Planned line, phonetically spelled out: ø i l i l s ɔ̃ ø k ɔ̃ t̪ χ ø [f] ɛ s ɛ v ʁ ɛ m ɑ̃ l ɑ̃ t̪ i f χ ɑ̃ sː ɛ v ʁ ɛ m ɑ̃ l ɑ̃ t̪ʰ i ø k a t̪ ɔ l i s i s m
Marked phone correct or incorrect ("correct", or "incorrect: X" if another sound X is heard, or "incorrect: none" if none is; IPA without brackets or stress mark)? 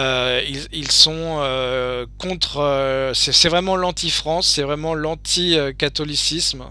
incorrect: s